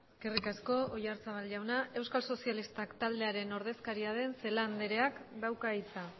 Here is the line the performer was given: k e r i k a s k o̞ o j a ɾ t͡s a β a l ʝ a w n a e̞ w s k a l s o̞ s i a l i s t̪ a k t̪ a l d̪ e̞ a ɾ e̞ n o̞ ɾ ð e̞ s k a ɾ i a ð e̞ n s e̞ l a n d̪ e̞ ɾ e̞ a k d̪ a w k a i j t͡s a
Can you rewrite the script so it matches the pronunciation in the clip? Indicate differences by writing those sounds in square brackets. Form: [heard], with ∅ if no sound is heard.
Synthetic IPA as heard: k e r i k a s k o̞ o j a ɾ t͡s a β a l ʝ a w n a e̞ w s k a l s o̞ s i a l i s t̪ a k t̪ a l d̪ e̞ a ɾ e̞ n o̞ ɾ ð e̞ s k a ɾ i a ð e̞ n s e̞ l a n d̪ e̞ ɾ e̞ a k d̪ a w k a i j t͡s a